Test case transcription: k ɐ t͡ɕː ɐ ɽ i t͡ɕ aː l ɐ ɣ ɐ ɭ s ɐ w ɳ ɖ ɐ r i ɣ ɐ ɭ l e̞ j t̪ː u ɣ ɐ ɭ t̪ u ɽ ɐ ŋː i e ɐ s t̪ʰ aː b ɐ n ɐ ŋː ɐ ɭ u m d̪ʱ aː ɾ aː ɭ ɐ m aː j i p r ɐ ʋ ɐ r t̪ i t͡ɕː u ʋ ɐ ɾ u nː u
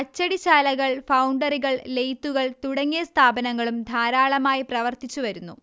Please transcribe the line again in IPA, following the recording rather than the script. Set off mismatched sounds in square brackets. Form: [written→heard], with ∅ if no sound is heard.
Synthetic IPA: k ɐ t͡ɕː ɐ ɽ i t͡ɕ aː l ɐ ɣ ɐ ɭ [s→f] ɐ w ɳ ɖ ɐ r i ɣ ɐ ɭ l e̞ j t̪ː u ɣ ɐ ɭ t̪ u ɽ ɐ ŋː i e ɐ s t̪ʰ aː b ɐ n ɐ ŋː ɐ ɭ u m d̪ʱ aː ɾ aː ɭ ɐ m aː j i p r ɐ ʋ ɐ r t̪ i t͡ɕː u ʋ ɐ ɾ u nː u

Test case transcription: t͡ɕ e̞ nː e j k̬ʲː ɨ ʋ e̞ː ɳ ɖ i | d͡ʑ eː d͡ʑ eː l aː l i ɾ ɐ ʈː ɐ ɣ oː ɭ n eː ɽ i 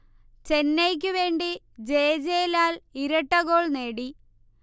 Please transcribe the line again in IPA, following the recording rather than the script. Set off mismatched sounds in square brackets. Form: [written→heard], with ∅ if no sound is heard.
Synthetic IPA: t͡ɕ e̞ nː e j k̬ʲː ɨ ʋ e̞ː ɳ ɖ i | d͡ʑ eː d͡ʑ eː l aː l i ɾ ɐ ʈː ɐ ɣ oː ɭ n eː ɽ i

